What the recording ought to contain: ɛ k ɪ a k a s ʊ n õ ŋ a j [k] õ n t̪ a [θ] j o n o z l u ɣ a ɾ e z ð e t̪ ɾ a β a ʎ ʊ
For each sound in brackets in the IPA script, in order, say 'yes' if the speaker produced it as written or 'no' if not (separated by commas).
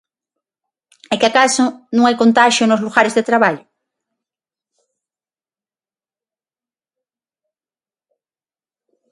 yes, no